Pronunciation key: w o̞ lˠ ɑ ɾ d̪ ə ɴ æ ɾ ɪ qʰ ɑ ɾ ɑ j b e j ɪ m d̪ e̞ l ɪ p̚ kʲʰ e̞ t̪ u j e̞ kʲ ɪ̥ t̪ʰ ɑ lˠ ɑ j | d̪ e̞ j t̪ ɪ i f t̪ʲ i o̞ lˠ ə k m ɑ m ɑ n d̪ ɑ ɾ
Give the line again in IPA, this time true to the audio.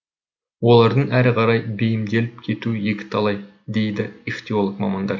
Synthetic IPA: w o̞ lˠ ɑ ɾ d̪ ə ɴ æ ɾ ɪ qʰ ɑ ɾ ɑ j b e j ɪ m d̪ e̞ l ɪ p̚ kʲʰ e̞ t̪ u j e̞ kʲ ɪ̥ t̪ʰ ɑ lˠ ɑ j | d̪ e̞ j d̪ ɪ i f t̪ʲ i o̞ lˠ ə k m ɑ m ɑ n d̪ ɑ ɾ

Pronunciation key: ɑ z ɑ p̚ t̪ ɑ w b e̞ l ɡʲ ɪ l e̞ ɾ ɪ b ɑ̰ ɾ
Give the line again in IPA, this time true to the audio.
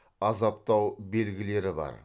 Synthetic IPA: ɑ z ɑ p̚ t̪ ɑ w b e̞ l ɡʲ ɪ l e̞ ɾ ɪ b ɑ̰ ɾ

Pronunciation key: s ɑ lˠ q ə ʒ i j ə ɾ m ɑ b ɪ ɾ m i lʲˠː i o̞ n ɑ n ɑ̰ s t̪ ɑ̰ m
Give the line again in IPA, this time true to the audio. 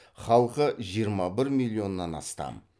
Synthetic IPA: χ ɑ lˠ q ə ʒ i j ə ɾ m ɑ b ɪ ɾ m i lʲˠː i o̞ nː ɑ n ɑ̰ s t̪ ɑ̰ m

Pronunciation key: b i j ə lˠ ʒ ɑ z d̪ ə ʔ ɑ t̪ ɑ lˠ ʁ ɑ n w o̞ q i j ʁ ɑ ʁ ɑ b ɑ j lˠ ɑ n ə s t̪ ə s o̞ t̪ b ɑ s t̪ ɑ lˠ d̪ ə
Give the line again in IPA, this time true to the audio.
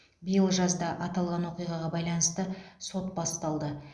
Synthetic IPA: b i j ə lˠ ʒ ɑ z d̪ ɑ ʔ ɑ t̪ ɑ lˠ ʁ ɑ n w o̞ q i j ʁ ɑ ʁ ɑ b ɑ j lˠ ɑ n ə s t̪ ə s o̞ t̪ b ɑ s t̪ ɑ lˠ d̪ ə

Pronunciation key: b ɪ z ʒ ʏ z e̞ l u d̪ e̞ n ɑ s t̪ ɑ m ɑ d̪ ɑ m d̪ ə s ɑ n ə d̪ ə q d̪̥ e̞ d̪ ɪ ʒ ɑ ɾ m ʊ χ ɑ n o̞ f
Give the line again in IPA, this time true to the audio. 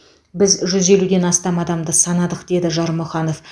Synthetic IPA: b ɪ z ʒ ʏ z e̞ l u d̪ e̞ n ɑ s t̪ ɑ m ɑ d̪ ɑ m d̪ ə s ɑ n ɑ d̪ ə q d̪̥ e̞ d̪ ɪ ʒ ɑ ɾ m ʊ χ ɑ n o̞ f

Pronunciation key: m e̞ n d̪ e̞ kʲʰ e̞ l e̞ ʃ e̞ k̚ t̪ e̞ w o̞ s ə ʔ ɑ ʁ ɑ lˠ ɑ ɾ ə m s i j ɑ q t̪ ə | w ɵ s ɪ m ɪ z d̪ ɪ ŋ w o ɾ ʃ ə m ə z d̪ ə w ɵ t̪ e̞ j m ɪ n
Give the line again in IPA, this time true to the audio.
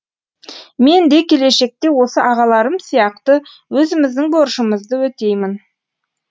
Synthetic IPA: m e̞ n d̪ e̞ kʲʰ e̞ l e̞ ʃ e̞ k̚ t̪ e̞ w o̞ s ə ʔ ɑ ʁ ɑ lˠ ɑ ɾ ə m s i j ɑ q t̪ ə | w ɵ z ɪ m ɪ z d̪ ɪ ŋ b o ɾ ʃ ə m ə z d̪ ə w ɵ t̪ e̞ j m ɪ n

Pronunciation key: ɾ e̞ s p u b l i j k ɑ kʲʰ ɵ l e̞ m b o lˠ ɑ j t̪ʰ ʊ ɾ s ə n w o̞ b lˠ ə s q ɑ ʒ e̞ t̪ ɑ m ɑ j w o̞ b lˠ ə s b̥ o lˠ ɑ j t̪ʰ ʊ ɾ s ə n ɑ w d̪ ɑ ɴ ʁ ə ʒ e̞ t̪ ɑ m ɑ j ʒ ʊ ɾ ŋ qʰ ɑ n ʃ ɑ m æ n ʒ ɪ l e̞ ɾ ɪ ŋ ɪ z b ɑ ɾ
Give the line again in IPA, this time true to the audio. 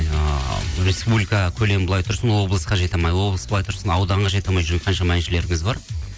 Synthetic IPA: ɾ e̞ s p u b l i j k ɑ kʲʰ ɵ l e̞ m b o lˠ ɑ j t̪ʰ ʊ ɾ s ə n w o̞ b lˠ ə s q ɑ ʒ e̞ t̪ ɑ m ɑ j w o̞ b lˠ ə s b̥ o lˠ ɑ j t̪ʰ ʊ ɾ s ə n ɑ w d̪ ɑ ɴ ʁ ɑ ʒ e̞ t̪ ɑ m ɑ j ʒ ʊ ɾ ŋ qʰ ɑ n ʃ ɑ m æ n ʃ ɪ l e̞ ɾ ɪ ŋ ɪ z b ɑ ɾ

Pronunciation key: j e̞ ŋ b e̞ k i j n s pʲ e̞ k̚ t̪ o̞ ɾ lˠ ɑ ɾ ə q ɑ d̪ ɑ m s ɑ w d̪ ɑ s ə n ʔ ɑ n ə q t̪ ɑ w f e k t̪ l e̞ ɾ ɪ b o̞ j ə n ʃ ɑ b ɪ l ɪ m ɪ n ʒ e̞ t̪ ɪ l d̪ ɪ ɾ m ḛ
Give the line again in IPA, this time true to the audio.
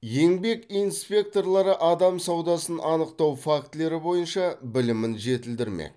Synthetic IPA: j e̞ ŋ b e̞ k i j n s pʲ e̞ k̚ t̪ o̞ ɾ lˠ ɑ ɾ ə ʔ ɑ d̪ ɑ m s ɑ w d̪ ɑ s ə n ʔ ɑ n ə q t̪ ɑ w f a k t̪ l e̞ ɾ ɪ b o̞ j ə n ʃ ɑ b ɪ l ɪ m ɪ n ʒ e̞ t̪ ɪ l d̪ ɪ ɾ m ḛ

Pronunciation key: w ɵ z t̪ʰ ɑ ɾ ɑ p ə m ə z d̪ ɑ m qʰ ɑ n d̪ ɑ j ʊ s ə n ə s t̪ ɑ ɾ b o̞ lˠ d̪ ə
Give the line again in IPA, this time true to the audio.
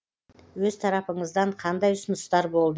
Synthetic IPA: w ɵ z t̪ʰ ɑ ɾ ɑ p ə ɴ ə z d̪ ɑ ɴ qʰ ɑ n d̪ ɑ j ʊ s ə n ə s t̪ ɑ ɾ b o̞ lˠ d̪ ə

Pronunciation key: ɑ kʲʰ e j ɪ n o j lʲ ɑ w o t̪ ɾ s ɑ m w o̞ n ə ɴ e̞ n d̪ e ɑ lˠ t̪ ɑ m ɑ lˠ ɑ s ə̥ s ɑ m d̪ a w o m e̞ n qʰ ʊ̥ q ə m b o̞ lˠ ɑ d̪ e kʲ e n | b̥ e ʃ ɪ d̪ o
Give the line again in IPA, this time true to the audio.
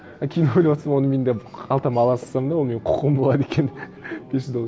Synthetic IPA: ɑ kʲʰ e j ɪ n o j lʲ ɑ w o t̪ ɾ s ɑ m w o̞ n ə m e̞ n d̪ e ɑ lˠ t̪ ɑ m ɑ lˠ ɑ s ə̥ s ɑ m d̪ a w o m e̞ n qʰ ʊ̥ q ə m b o̞ lˠ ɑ d̪ e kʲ e n | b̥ e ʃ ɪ d̪ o

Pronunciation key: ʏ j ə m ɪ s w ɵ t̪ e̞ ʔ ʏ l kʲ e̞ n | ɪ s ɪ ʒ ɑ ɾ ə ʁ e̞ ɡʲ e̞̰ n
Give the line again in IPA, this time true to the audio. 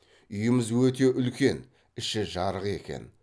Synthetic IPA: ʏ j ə m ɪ z w ɵ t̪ e̞ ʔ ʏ l kʲ e̞ n | ɪ ʃ ɪ ʒ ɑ ɾ ə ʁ e̞ kʲ e̞̰ n

